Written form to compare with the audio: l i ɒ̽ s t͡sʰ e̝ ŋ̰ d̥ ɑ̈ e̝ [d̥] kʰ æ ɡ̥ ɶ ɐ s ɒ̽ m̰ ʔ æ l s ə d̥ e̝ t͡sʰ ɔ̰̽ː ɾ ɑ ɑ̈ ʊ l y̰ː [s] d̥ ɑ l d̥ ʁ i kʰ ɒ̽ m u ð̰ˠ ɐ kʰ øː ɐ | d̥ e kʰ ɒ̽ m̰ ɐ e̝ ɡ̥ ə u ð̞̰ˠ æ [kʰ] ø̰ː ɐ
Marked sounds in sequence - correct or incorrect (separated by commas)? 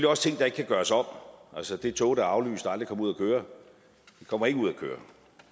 incorrect, correct, correct